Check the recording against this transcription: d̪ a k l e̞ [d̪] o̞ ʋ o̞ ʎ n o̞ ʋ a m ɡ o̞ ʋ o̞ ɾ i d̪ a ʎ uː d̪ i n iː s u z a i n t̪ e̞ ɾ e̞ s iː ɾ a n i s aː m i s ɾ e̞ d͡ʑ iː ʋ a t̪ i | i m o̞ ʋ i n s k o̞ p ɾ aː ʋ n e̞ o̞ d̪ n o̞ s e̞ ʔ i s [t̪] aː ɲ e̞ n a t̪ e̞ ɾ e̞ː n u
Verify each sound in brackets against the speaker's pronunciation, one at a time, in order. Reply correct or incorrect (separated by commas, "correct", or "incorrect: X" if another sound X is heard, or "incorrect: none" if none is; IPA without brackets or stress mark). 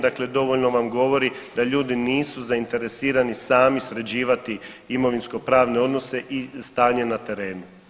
correct, correct